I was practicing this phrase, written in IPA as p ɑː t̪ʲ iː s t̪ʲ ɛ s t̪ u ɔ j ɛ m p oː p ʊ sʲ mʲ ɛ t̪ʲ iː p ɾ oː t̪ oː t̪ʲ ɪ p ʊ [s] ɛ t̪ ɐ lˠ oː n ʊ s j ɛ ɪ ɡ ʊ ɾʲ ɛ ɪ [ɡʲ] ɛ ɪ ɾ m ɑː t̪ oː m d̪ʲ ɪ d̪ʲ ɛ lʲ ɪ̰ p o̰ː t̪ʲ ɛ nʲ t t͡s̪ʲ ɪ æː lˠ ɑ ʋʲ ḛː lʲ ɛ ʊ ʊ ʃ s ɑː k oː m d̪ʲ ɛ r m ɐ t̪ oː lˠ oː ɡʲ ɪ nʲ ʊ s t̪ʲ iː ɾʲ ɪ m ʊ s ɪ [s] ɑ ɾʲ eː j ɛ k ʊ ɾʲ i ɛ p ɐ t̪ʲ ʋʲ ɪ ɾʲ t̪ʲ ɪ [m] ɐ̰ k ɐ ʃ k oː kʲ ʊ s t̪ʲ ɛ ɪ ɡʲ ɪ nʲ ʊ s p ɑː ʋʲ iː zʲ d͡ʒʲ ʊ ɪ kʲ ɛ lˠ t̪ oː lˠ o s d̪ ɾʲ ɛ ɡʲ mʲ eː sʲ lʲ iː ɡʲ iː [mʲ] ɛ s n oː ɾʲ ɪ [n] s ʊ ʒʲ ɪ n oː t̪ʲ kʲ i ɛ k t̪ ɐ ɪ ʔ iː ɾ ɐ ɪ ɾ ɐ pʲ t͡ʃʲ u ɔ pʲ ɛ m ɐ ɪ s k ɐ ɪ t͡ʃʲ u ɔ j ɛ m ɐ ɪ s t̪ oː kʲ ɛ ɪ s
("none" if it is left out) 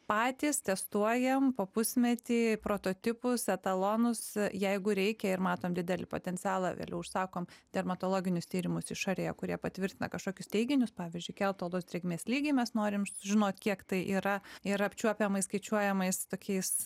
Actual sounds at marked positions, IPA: s, kʲ, ʃ, n, mʲ, m

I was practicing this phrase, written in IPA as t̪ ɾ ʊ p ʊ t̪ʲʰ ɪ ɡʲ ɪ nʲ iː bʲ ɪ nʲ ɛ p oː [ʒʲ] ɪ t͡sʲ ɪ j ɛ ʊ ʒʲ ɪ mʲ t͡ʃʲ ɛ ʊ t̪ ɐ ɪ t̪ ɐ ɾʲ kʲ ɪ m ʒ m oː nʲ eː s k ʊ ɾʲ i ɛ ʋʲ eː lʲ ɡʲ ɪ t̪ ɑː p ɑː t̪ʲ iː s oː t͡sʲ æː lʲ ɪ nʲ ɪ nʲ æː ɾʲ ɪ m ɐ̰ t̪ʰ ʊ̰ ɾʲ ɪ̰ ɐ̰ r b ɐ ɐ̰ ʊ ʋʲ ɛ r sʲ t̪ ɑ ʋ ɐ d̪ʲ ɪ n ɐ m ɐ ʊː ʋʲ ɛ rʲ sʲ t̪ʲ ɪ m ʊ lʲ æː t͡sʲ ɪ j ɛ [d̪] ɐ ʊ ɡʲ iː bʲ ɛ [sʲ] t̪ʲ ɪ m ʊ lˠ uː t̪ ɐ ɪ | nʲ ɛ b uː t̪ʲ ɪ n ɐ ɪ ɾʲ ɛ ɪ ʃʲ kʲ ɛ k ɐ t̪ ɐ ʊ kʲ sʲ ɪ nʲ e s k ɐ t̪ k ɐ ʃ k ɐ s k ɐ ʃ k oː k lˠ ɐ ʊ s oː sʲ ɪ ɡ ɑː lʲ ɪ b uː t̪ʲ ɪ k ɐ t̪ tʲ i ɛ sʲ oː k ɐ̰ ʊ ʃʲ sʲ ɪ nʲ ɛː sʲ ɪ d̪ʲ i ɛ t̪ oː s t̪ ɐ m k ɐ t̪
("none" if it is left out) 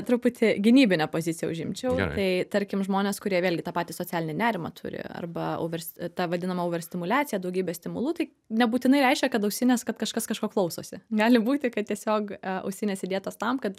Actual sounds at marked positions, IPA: zʲ, d̪, sʲ

